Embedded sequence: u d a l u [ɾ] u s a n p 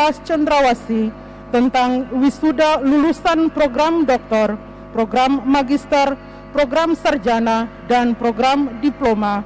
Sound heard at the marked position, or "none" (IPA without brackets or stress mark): l